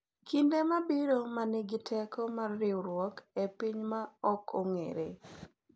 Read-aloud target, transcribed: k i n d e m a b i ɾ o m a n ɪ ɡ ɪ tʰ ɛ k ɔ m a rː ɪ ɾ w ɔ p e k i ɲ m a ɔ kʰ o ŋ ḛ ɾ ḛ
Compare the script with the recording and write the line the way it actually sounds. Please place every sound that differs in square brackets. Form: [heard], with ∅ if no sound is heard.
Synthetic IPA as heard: k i n d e m a b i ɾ o m a n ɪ ɡ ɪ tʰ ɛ k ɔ m a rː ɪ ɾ w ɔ [k] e [p] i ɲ m a ɔ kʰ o ŋ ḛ ɾ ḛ